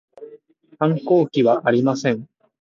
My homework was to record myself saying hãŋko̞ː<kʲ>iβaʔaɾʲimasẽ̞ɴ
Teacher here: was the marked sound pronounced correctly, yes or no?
yes